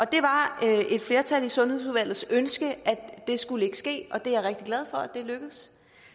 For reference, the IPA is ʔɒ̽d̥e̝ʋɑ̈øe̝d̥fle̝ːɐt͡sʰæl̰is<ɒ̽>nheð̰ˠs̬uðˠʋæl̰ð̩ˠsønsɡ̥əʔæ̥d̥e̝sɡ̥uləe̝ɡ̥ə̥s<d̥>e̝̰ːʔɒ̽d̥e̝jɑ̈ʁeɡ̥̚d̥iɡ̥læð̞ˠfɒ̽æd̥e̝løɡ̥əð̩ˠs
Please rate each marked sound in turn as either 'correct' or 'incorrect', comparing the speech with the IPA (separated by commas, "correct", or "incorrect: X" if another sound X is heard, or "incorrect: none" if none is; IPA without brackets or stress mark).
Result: incorrect: ɔ̽, incorrect: ɡ̥